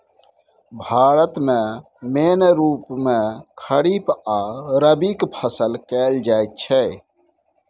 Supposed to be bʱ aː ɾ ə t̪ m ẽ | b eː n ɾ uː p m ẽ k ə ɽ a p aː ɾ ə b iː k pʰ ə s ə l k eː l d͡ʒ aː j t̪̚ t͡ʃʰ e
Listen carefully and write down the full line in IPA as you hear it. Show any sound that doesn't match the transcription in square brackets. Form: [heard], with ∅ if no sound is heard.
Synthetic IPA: bʱ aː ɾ ə t̪ m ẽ | [m] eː n ɾ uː p m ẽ [kʰ] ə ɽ [i] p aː ɾ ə b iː k pʰ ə s ə l k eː l d͡ʒ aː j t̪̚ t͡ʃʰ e